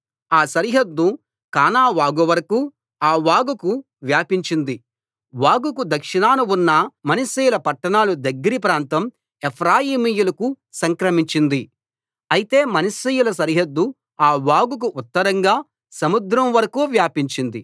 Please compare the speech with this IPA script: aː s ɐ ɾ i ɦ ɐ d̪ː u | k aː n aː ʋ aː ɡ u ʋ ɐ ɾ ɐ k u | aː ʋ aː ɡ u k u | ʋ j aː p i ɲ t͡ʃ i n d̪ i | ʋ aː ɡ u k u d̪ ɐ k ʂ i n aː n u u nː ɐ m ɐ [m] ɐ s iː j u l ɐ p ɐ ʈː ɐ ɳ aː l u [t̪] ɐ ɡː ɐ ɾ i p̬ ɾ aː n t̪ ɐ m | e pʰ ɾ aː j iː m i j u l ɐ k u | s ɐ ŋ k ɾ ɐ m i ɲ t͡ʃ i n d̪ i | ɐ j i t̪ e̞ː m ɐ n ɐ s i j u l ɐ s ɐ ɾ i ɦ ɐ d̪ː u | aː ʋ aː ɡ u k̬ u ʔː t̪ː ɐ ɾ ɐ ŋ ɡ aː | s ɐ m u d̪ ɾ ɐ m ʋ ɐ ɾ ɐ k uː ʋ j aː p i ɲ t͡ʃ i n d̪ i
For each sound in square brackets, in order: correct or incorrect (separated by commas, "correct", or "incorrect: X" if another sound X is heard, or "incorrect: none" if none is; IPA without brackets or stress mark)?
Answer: incorrect: n, incorrect: d̪